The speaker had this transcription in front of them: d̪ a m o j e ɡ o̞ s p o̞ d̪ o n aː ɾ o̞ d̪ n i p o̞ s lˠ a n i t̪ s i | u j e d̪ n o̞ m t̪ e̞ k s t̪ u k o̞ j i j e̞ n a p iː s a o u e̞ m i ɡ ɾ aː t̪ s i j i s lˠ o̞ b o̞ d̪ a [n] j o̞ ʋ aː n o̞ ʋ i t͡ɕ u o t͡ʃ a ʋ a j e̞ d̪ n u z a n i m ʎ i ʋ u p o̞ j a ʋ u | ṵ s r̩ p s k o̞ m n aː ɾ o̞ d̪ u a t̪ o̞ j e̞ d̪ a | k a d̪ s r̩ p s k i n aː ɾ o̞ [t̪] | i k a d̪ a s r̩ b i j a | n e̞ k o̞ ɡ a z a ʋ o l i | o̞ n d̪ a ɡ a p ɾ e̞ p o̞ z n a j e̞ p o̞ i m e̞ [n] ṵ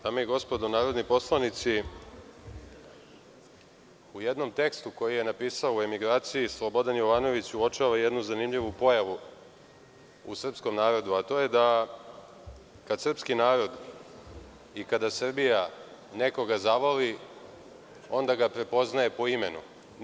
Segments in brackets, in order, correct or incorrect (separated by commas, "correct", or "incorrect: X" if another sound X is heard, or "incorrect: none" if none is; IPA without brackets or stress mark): correct, incorrect: d̪, correct